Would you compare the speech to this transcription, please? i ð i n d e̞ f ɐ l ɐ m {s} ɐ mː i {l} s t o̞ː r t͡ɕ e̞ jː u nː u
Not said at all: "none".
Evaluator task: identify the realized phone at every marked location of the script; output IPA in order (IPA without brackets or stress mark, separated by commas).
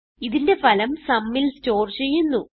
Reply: s, l